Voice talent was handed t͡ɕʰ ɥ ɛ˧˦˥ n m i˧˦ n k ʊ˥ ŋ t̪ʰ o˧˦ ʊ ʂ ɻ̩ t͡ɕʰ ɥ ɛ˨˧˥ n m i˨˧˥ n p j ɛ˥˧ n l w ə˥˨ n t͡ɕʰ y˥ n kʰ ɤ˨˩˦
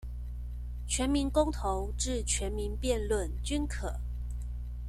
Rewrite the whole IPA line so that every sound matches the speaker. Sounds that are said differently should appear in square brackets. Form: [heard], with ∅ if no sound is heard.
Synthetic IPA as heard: t͡ɕʰ ɥ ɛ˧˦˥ n m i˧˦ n k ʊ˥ ŋ t̪ʰ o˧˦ ʊ [ʈ͡ʂ] ɻ̩ t͡ɕʰ ɥ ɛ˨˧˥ n m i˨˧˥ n p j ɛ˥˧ n l w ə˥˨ n [t͡ɕ] y˥ n kʰ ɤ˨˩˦